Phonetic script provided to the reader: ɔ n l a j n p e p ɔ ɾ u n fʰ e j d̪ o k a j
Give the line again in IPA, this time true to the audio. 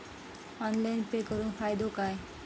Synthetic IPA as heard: ɔ n l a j n p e k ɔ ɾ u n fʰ a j d̪ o k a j